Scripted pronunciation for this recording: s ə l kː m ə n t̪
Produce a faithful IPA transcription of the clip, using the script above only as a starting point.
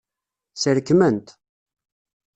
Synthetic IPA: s ə ɾ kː m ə n t̪